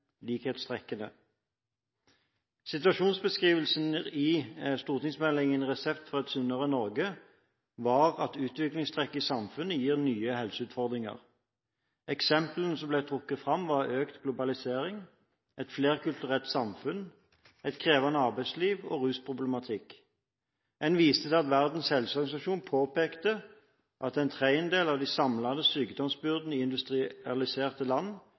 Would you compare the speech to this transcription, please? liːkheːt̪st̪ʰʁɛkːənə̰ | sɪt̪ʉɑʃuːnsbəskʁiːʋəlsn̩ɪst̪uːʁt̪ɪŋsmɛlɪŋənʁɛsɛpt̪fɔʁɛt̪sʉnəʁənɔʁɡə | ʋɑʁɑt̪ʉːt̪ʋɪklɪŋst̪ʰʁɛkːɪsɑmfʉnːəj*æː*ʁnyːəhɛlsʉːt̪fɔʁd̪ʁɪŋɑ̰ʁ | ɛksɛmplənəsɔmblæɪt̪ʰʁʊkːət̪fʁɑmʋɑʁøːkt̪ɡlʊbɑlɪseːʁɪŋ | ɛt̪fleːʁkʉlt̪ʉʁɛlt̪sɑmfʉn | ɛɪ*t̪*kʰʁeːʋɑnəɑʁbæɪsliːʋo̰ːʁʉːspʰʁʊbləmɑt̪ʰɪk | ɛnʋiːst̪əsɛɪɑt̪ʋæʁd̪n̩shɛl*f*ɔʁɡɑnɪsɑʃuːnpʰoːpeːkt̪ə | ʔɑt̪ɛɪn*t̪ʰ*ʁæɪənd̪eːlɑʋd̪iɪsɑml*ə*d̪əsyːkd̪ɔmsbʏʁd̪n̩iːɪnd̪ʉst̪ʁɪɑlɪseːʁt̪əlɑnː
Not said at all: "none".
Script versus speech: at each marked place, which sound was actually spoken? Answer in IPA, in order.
iː, t̪, s, t̪ʰ, ɑ

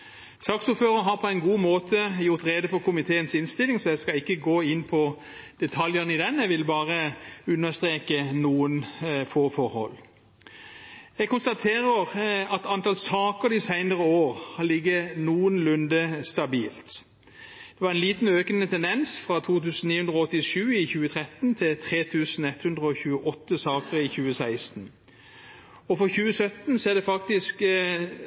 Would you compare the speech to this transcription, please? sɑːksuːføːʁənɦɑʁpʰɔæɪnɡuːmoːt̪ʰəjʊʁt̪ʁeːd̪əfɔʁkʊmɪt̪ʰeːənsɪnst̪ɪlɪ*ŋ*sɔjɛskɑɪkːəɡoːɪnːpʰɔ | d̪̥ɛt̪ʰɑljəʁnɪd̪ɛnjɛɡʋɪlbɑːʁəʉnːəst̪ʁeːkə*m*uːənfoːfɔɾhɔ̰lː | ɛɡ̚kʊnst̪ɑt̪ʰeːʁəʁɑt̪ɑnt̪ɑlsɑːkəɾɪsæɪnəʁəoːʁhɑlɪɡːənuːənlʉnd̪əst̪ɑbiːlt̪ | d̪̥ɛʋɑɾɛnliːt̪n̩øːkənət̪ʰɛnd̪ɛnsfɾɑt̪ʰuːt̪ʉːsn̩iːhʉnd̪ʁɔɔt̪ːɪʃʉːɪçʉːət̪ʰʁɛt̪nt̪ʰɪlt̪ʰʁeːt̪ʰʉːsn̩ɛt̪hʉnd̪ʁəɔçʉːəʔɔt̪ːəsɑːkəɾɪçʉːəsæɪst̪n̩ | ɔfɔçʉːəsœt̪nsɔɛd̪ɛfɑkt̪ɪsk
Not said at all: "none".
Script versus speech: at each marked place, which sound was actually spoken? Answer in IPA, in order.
ŋ, n

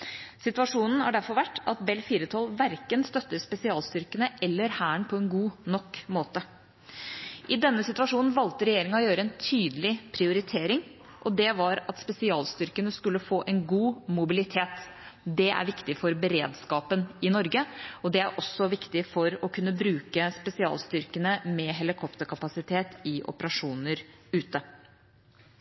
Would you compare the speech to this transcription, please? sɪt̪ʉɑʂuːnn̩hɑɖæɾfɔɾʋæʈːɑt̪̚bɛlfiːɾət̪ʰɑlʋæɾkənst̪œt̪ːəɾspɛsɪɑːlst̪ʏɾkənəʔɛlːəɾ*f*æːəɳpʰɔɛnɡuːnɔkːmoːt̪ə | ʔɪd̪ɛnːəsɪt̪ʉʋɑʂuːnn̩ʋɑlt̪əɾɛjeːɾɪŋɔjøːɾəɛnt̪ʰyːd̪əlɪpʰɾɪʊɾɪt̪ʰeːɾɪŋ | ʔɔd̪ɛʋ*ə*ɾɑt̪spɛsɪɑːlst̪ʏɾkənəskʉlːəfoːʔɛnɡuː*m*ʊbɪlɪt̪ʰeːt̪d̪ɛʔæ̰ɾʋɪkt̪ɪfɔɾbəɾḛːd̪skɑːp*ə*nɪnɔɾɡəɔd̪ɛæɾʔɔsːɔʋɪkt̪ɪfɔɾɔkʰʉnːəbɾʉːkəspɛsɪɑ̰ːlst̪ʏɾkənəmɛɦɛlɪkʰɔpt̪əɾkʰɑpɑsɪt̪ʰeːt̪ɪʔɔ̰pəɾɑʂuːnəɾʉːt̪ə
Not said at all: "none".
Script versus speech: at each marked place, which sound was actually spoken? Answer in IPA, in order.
h, ɑ, m, ə

